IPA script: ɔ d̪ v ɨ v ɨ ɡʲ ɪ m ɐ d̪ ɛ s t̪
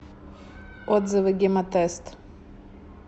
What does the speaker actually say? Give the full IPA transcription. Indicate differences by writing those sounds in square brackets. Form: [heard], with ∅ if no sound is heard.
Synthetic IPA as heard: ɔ d̪ [z] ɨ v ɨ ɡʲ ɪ m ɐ [t̪] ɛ s t̪